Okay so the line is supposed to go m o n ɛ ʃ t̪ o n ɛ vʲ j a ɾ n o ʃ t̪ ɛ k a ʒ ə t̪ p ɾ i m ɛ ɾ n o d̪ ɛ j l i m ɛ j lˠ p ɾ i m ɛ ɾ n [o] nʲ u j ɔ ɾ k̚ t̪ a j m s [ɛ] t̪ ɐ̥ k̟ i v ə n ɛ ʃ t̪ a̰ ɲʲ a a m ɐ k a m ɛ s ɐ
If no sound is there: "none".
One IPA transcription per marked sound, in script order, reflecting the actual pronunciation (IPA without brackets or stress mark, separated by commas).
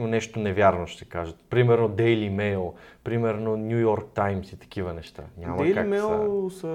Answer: o, i